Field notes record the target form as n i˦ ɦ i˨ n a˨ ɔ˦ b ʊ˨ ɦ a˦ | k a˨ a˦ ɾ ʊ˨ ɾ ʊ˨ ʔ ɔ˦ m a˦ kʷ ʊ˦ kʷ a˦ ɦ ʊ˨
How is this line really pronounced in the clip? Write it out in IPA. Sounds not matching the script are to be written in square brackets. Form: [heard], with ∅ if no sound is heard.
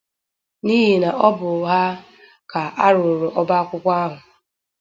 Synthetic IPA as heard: n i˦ ɦ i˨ n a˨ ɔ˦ b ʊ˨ ɦ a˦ | k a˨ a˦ ɾ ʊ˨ ɾ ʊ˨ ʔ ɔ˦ [b] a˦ kʷ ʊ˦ kʷ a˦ ɦ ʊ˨